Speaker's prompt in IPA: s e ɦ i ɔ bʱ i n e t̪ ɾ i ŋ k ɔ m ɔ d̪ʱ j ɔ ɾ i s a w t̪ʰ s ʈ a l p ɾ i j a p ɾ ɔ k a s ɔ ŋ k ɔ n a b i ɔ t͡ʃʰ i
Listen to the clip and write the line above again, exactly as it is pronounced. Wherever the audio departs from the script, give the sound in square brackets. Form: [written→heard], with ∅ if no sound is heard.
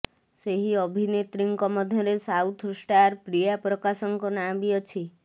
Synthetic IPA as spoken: s e ɦ i ɔ bʱ i n e t̪ ɾ i ŋ k ɔ m ɔ d̪ʱ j ɔ ɾ [i→e] s a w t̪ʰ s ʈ a [l→ɾ] p ɾ i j a p ɾ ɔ k a s ɔ ŋ k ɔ n a b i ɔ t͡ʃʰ i